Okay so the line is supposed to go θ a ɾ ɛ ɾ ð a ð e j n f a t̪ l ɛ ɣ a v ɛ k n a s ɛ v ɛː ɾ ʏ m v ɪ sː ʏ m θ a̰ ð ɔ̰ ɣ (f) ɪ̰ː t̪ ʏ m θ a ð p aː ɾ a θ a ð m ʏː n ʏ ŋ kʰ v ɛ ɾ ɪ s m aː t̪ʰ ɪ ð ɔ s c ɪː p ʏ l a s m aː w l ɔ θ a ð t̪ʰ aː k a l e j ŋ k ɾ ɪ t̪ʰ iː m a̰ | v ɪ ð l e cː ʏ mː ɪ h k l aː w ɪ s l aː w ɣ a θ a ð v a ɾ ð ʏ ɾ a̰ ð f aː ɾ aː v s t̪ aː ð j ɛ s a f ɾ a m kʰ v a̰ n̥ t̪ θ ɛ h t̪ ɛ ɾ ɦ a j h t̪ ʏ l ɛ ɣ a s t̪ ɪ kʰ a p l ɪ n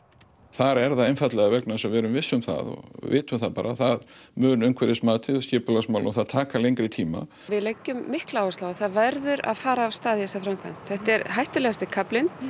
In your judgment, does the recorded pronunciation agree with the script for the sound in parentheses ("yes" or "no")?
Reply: no